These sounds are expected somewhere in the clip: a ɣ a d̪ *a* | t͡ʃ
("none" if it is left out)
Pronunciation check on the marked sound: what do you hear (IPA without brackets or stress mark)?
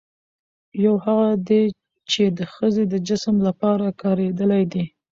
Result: e